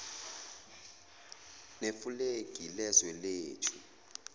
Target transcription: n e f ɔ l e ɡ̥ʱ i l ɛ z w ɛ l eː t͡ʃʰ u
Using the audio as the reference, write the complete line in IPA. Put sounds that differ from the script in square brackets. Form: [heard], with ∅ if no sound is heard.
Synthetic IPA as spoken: n e f [u] l e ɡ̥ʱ i l ɛ z w ɛ l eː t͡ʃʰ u